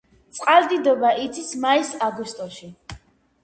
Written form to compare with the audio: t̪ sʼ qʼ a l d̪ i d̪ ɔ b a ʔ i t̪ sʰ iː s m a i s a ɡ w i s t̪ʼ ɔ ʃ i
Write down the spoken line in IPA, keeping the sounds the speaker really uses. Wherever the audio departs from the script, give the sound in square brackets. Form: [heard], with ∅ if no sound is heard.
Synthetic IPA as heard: t̪ sʼ qʼ a l d̪ i d̪ ɔ b a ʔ i t̪ sʰ [i] s m a i s a ɡ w i s t̪ʼ ɔ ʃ i